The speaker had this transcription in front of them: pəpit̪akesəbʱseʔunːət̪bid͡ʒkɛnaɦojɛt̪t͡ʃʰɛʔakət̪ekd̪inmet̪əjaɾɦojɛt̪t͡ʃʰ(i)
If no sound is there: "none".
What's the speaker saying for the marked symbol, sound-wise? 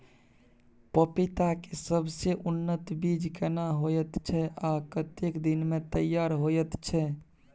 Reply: ɛ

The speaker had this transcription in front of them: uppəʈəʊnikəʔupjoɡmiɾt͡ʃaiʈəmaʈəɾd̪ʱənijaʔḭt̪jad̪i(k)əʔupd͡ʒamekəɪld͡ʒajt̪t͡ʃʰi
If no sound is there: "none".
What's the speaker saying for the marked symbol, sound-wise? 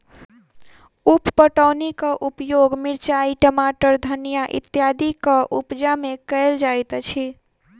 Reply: k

